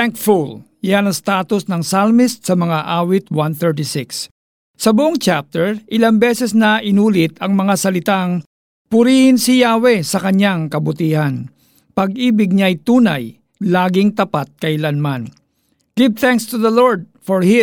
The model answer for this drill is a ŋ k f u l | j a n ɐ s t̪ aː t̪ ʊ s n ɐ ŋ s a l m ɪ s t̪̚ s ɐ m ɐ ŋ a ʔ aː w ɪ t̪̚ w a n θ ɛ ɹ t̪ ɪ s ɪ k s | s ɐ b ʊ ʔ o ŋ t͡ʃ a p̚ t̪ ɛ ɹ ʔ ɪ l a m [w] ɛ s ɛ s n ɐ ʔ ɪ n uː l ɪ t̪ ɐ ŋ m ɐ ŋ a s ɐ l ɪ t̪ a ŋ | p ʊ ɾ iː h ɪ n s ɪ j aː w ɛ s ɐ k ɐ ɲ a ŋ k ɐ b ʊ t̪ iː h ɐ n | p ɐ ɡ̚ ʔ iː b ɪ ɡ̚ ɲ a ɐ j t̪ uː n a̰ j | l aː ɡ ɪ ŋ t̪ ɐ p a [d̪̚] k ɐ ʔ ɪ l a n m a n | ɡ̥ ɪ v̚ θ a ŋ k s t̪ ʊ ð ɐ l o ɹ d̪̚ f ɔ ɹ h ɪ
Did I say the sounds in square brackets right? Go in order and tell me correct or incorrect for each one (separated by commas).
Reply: incorrect, incorrect